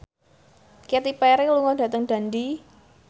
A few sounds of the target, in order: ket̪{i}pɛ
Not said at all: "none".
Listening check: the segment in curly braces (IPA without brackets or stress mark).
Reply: i